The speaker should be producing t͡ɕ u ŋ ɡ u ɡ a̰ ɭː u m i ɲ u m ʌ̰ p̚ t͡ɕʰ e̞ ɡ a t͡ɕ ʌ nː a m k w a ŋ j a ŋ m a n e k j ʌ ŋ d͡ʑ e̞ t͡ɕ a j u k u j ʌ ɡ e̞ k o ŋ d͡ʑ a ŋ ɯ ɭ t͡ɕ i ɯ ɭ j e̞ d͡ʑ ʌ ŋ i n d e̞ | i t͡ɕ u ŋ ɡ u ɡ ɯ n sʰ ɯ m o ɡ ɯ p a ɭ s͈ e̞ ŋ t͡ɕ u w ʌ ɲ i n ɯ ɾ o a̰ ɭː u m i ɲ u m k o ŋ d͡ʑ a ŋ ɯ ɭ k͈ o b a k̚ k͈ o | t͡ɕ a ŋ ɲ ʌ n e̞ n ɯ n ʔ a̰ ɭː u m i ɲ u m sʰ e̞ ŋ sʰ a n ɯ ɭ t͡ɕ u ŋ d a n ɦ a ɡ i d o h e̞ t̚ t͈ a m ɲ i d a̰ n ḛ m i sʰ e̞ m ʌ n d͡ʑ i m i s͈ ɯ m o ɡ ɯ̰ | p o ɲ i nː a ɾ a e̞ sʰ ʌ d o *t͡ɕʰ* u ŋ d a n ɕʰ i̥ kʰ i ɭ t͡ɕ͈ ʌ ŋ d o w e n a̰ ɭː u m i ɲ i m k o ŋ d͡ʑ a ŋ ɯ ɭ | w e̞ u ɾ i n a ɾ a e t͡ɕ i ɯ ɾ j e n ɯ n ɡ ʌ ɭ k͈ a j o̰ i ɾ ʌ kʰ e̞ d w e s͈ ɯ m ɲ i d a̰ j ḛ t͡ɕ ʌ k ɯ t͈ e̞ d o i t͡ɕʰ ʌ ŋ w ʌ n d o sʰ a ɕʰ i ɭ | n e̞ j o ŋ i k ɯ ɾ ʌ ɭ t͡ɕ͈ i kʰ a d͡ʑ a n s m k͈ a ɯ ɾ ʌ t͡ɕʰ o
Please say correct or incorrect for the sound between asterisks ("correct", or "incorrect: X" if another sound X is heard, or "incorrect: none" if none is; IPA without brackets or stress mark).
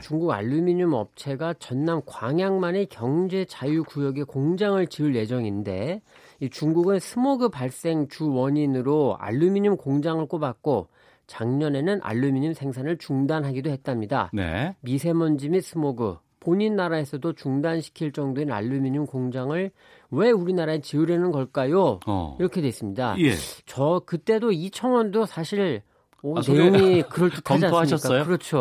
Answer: incorrect: t͡ɕ